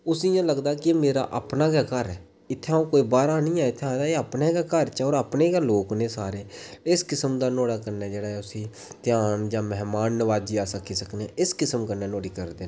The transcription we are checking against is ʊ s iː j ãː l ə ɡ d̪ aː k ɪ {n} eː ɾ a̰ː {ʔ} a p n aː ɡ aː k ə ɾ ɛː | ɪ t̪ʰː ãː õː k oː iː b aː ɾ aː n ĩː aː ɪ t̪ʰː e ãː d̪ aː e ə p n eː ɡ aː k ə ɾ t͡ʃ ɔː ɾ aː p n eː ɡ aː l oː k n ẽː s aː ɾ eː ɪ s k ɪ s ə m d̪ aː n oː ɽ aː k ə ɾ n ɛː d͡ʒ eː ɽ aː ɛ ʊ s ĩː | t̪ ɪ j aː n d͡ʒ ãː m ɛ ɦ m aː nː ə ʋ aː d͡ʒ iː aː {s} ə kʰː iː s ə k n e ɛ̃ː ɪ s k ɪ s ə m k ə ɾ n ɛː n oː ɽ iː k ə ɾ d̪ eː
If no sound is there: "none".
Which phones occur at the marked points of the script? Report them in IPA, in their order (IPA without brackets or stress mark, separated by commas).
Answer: m, ʔ, s